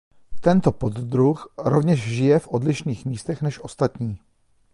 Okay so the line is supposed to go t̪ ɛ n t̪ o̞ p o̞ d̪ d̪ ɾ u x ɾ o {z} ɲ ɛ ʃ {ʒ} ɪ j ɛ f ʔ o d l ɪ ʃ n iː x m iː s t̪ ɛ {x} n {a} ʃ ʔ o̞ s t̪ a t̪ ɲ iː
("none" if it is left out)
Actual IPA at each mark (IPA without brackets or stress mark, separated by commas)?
v, ʒ, x, ɛ